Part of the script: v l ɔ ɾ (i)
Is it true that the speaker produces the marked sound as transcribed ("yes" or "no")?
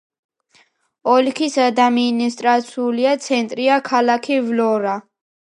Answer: no